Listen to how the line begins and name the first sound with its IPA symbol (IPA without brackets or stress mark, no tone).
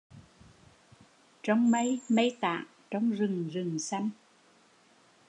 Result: t͡ɕ